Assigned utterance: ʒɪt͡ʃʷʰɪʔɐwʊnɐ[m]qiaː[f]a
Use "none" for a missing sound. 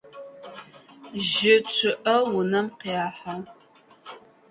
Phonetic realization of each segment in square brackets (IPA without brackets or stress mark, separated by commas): m, ħ